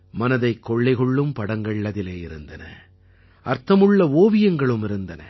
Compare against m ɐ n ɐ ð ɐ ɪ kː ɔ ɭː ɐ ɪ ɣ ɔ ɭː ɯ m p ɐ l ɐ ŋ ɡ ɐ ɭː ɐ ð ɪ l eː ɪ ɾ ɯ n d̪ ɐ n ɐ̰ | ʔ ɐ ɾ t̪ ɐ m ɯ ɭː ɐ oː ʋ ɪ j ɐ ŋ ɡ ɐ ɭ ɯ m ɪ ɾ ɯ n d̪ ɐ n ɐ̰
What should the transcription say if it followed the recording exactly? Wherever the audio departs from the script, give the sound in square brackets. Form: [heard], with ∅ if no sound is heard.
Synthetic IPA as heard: m ɐ n ɐ ð ɐ ɪ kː ɔ ɭː ɐ ɪ ɣ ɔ ɭː ɯ m p ɐ [ɽ] ɐ ŋ ɡ ɐ ɭː ɐ ð ɪ l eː ɪ ɾ ɯ n d̪ ɐ n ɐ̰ | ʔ ɐ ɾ t̪ ɐ m ɯ ɭː ɐ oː ʋ ɪ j ɐ ŋ ɡ ɐ ɭ ɯ m ɪ ɾ ɯ n d̪ ɐ n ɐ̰